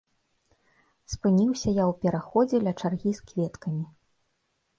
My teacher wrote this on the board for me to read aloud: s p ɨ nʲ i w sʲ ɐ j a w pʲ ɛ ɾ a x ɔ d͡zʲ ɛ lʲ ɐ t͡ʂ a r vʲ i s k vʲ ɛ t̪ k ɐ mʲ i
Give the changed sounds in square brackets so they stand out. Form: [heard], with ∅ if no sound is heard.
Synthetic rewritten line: s p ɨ nʲ i w sʲ ɐ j a w pʲ ɛ ɾ a x ɔ d͡zʲ ɛ lʲ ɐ t͡ʂ a r [ɣʲ] i s k vʲ ɛ t̪ k ɐ mʲ i